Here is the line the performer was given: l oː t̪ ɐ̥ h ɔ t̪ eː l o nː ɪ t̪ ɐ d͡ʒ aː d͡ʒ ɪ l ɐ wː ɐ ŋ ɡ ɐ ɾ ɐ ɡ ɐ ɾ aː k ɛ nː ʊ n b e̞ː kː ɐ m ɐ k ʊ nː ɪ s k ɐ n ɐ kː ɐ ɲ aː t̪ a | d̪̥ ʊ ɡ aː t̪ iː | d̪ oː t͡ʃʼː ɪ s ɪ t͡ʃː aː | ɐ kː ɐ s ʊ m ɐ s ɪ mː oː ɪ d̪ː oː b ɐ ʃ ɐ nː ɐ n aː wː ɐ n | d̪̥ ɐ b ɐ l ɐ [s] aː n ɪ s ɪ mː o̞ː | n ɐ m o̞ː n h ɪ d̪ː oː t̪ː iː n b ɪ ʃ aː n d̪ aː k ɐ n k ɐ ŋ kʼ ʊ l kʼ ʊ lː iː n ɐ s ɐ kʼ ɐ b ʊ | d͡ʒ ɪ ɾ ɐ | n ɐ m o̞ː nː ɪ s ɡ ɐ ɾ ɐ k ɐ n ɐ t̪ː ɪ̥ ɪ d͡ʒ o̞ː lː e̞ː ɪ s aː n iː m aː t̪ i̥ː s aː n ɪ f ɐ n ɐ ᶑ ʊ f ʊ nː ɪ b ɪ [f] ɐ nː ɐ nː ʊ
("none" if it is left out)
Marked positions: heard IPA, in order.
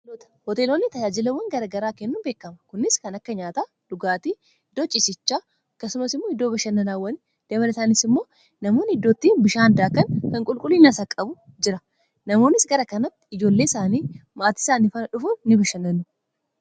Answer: s, ʃ

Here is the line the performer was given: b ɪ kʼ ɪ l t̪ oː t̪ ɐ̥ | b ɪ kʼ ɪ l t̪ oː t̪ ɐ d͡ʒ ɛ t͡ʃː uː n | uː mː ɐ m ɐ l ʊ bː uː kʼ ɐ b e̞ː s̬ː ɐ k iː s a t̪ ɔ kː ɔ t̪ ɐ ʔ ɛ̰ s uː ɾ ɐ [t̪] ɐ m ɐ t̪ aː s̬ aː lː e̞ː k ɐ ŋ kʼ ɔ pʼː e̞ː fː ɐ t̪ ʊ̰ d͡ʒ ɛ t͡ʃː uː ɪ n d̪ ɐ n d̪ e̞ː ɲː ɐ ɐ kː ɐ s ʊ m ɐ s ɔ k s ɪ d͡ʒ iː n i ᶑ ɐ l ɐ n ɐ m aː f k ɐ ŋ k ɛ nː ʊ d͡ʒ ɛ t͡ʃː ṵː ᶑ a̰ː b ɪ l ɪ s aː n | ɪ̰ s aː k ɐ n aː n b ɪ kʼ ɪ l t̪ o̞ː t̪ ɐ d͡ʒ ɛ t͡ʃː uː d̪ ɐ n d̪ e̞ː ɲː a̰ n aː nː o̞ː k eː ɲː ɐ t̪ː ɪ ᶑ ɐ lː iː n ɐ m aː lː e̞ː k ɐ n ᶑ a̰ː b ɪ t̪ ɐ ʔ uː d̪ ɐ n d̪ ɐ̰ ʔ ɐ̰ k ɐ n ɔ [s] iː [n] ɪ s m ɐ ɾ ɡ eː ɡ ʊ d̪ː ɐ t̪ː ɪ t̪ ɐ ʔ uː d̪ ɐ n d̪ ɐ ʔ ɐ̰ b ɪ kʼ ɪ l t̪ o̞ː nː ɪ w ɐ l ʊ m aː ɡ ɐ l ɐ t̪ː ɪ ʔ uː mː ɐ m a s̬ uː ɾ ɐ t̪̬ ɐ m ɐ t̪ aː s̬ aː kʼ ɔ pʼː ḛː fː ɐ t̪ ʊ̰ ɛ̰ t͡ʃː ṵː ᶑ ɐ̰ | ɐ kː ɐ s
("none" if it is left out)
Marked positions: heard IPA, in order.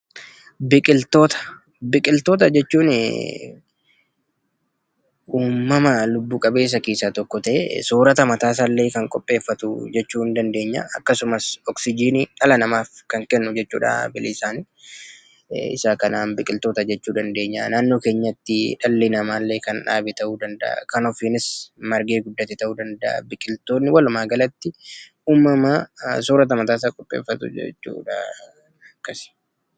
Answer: t̪, f, n

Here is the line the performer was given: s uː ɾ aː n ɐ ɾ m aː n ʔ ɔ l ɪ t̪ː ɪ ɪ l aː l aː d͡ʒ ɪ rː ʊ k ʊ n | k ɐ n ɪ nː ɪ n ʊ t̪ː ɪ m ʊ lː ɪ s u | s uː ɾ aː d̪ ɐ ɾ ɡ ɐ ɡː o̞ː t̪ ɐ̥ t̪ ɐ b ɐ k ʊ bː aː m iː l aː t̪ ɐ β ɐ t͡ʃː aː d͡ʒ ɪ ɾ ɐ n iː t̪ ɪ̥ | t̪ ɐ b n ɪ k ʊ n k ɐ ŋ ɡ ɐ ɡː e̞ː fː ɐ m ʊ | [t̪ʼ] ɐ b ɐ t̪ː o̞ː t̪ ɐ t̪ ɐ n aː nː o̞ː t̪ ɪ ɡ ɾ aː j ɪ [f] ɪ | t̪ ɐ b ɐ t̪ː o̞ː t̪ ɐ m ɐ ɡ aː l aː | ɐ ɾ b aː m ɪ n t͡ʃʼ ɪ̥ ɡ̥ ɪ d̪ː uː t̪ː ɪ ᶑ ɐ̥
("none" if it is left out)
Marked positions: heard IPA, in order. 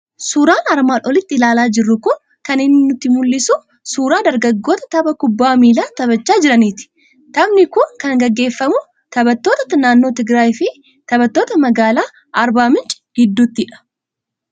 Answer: t̪, f

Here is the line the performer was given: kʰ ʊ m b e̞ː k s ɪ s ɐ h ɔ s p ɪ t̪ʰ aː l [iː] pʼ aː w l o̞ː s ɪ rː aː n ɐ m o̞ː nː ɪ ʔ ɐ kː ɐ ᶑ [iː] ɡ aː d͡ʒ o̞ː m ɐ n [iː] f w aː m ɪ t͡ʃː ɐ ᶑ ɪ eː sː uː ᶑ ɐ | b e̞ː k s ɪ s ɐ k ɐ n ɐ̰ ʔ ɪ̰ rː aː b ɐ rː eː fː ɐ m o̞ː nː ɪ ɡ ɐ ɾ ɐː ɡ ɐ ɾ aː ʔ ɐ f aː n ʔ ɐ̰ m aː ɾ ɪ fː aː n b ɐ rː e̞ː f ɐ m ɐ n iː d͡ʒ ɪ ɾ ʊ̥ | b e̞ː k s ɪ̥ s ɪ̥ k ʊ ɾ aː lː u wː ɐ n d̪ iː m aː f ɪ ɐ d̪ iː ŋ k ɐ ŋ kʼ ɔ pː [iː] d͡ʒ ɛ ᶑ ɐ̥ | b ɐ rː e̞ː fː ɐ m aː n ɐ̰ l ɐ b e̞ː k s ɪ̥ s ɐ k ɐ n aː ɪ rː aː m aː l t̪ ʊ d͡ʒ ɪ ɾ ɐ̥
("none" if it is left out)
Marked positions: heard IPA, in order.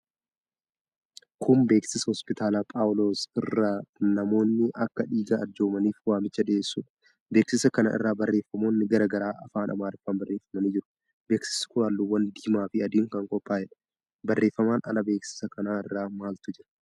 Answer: aː, iː, iː, aː

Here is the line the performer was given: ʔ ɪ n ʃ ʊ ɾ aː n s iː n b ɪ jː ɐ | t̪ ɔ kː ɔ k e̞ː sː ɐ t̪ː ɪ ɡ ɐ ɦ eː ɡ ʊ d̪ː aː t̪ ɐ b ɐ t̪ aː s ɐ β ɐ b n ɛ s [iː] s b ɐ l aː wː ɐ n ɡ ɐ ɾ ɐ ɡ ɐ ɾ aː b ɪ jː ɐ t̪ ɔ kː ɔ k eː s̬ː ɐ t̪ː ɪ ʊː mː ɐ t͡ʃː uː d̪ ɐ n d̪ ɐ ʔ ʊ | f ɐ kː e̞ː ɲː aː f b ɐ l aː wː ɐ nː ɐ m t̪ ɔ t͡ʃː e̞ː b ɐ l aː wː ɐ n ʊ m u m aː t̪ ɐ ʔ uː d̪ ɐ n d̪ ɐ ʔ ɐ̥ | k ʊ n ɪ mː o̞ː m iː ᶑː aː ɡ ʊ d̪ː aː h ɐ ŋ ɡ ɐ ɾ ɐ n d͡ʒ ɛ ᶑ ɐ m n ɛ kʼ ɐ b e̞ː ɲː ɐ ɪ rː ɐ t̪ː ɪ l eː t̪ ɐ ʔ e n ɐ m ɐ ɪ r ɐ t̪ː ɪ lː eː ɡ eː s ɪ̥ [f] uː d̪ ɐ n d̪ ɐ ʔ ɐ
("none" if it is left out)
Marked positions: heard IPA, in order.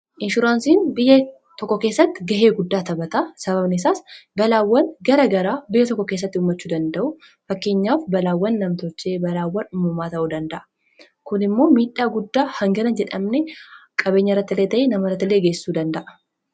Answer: aː, s

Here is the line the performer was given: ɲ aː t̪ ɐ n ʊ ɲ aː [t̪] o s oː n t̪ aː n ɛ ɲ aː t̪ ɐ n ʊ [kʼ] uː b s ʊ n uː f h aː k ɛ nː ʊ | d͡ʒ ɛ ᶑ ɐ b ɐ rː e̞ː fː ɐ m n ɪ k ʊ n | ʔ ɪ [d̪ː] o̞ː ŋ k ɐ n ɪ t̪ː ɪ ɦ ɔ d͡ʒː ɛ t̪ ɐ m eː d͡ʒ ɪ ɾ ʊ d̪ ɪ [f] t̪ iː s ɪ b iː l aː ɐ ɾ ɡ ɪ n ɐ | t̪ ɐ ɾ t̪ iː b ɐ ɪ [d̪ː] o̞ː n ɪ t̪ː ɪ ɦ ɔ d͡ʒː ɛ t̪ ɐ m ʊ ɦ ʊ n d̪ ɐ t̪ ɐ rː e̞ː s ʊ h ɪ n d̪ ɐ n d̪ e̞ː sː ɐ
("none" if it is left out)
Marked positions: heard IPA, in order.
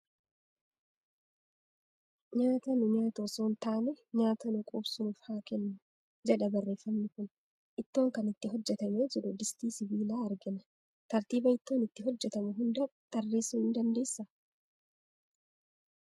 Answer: t̪, kʼ, t̪ː, s, t̪ː

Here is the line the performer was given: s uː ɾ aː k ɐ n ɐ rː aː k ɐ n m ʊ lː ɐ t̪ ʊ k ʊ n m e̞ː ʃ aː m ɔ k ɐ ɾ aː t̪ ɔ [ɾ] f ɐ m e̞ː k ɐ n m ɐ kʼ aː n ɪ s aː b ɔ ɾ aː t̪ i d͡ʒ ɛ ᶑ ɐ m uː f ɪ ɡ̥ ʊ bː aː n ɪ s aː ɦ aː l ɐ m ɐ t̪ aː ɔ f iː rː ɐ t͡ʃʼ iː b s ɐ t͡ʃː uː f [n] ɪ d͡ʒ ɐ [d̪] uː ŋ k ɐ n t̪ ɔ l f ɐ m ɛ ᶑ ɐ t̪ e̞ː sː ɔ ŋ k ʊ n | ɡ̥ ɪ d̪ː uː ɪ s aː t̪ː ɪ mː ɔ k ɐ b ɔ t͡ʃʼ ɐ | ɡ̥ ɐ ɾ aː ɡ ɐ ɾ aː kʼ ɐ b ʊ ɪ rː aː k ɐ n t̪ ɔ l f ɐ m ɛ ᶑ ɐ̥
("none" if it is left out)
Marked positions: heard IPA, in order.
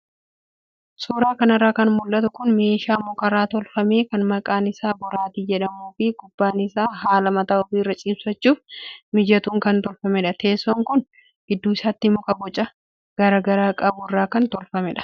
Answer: l, m, t̪

